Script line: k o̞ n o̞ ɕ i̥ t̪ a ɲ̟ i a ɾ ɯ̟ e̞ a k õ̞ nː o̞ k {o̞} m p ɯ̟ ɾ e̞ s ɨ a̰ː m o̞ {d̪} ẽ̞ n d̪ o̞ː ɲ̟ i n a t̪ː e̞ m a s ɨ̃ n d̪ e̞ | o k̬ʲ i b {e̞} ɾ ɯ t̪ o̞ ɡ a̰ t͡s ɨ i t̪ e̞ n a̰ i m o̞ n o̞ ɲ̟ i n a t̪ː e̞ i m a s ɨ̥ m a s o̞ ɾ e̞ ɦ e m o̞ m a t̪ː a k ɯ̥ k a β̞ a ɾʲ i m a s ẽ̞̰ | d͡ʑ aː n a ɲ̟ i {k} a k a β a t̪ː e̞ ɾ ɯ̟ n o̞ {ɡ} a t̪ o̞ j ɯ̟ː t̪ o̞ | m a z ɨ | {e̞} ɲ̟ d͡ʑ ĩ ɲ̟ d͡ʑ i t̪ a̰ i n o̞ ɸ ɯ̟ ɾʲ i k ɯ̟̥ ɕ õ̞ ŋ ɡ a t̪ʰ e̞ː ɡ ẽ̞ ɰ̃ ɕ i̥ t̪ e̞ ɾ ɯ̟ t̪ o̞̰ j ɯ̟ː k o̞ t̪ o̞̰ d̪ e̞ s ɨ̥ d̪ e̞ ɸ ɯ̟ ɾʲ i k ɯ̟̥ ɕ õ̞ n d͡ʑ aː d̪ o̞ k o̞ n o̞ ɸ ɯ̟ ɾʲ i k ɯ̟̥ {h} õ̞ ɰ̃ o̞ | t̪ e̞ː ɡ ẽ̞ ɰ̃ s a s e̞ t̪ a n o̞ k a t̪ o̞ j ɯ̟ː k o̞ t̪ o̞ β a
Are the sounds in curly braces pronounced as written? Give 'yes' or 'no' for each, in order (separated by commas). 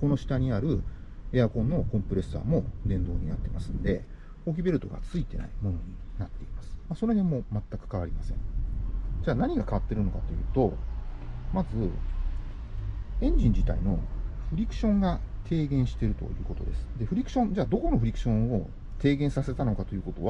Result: no, yes, yes, no, no, no, no